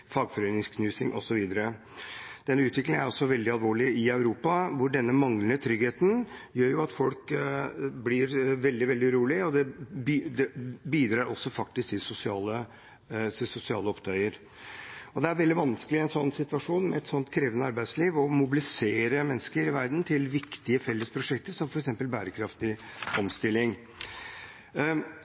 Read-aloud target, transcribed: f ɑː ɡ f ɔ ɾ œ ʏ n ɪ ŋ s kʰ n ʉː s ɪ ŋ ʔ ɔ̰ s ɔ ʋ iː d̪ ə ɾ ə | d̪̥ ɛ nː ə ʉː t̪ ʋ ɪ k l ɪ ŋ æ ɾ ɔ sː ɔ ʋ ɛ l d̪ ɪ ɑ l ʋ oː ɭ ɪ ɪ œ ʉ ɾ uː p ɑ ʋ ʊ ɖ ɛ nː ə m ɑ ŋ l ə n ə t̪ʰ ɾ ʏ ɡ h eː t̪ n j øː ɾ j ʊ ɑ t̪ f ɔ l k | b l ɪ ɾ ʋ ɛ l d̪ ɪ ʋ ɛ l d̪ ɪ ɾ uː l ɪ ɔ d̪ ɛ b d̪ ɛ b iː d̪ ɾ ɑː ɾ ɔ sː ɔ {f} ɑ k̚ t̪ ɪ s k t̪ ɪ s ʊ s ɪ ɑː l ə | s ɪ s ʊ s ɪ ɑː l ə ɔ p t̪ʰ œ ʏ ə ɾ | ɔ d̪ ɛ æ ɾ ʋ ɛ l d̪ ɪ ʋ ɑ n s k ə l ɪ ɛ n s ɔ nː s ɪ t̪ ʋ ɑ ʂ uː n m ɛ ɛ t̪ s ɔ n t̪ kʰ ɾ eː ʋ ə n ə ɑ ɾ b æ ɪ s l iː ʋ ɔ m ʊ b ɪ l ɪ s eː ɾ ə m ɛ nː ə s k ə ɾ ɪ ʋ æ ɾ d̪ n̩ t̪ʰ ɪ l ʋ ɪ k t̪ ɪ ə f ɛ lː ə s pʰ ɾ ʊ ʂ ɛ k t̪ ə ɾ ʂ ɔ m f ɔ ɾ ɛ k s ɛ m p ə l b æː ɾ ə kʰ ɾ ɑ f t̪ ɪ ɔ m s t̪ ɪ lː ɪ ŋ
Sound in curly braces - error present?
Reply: no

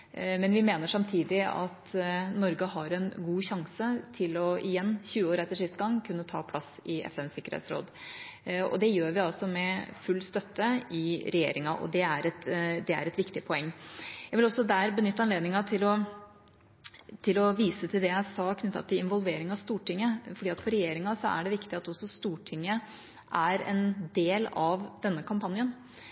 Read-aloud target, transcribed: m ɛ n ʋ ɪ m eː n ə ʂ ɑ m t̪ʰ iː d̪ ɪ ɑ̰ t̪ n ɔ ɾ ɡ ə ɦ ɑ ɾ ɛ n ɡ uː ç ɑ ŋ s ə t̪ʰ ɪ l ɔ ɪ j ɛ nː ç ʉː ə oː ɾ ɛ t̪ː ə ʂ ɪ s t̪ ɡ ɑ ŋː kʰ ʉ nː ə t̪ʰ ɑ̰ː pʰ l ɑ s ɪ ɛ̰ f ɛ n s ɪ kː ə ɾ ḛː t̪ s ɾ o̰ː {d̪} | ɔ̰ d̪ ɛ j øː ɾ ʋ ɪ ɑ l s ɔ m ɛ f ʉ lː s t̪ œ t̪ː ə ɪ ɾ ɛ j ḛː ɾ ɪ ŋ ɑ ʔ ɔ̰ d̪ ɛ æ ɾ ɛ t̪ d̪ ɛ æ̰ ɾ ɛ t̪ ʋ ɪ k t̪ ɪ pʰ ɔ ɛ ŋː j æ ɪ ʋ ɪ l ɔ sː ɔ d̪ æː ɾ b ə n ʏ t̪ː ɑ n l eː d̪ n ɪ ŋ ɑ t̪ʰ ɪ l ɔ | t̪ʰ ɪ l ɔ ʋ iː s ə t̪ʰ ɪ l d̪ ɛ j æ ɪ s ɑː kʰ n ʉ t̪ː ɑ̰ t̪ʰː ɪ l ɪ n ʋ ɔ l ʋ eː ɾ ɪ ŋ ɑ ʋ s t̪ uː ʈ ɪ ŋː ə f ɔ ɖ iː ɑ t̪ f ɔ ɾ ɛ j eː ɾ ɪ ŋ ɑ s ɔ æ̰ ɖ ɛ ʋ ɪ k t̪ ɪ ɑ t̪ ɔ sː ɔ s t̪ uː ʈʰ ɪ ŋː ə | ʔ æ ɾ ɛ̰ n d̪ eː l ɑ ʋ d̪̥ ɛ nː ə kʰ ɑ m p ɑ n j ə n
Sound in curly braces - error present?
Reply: no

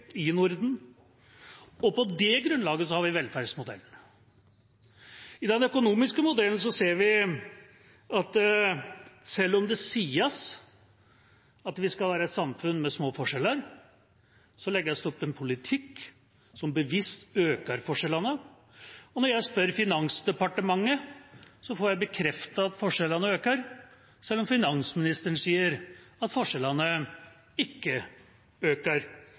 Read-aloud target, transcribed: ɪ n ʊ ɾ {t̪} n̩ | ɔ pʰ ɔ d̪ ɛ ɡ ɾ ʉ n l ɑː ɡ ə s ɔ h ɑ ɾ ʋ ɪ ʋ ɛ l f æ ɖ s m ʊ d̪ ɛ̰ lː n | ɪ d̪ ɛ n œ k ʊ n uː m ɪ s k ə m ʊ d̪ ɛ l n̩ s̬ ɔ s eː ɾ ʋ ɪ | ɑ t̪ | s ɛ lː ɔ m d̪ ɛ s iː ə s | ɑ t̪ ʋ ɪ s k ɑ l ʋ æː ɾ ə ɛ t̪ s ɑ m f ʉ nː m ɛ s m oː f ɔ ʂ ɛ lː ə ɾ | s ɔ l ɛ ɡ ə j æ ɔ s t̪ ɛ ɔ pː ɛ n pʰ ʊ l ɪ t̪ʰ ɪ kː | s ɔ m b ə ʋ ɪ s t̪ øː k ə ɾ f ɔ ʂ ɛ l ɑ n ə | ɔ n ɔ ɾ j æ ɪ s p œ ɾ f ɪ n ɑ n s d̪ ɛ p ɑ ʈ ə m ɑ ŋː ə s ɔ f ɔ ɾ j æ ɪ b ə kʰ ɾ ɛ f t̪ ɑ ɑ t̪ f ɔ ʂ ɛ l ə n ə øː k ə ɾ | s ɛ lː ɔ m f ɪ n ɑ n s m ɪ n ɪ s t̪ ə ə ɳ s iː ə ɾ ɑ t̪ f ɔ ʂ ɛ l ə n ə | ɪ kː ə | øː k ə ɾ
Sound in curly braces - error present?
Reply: yes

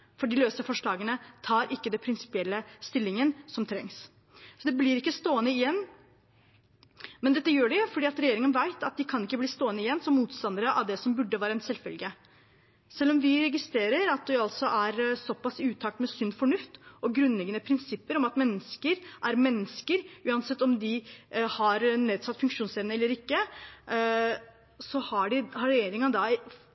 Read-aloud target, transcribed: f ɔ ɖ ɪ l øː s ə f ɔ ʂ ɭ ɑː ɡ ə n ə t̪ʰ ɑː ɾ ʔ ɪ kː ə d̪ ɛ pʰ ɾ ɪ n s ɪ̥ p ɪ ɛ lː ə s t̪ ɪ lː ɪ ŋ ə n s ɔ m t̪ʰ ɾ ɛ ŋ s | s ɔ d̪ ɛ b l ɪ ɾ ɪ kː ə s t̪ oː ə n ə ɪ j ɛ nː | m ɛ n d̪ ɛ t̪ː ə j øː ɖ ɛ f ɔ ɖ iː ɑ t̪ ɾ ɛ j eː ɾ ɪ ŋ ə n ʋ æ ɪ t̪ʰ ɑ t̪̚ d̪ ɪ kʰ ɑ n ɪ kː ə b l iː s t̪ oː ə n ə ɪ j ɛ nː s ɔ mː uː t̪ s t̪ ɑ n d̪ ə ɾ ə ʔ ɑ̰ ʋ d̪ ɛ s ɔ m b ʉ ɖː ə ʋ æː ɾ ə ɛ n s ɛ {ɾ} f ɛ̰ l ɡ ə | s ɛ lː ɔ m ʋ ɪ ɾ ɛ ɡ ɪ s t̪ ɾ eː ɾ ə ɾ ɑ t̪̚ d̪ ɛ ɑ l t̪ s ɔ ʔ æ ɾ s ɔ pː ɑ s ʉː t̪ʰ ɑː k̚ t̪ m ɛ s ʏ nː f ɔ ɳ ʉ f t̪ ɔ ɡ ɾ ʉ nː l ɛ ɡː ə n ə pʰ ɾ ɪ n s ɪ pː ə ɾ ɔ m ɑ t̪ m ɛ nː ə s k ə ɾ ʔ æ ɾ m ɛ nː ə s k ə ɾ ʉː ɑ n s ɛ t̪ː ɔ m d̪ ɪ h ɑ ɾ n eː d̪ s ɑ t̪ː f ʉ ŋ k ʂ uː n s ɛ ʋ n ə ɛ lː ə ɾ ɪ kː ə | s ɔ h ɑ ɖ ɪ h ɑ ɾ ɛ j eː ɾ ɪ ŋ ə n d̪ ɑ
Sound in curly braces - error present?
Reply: yes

